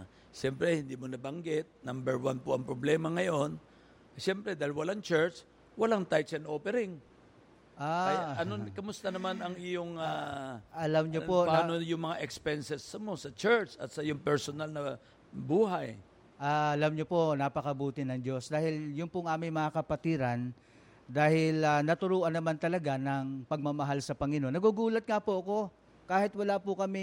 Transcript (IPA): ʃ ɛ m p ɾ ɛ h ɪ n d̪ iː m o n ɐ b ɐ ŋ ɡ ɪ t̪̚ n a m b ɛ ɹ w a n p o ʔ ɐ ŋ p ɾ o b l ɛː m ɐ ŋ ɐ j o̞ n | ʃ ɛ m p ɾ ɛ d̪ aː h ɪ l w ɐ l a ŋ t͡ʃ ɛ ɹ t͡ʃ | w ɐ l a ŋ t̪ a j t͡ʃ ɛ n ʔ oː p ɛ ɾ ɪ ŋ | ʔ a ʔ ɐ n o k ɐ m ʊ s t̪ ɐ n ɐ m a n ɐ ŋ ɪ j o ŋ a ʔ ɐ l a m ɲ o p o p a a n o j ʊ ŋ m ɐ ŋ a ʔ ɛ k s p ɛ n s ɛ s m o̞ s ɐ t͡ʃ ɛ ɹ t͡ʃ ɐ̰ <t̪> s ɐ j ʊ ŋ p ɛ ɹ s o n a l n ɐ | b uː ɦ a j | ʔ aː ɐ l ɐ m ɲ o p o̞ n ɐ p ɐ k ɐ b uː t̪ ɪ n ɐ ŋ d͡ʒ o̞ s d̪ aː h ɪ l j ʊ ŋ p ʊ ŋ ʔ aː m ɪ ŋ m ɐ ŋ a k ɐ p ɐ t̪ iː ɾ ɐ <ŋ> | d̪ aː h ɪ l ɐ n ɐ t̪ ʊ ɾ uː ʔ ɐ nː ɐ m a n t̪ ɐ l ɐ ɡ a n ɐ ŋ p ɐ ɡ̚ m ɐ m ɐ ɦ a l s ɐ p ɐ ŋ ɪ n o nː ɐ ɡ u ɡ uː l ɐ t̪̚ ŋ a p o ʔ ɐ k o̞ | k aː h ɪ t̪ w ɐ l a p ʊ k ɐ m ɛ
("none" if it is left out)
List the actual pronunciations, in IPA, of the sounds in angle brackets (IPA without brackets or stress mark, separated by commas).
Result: t̪, n